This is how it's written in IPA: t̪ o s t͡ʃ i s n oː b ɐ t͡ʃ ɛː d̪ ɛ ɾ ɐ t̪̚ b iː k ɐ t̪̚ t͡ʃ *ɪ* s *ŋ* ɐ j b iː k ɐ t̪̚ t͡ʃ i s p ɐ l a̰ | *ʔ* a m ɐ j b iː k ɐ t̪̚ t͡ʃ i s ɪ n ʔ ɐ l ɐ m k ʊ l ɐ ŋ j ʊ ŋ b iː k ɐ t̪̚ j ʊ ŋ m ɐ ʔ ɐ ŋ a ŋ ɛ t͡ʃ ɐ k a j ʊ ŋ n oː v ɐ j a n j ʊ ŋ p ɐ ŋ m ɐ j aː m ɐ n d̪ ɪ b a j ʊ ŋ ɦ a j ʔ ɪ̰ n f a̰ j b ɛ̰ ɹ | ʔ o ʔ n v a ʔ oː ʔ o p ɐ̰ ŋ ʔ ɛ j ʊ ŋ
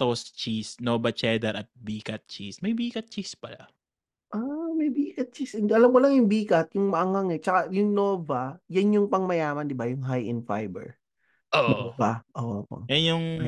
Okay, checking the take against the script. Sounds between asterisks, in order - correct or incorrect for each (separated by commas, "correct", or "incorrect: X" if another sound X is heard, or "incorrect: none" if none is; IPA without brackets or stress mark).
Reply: incorrect: i, incorrect: m, correct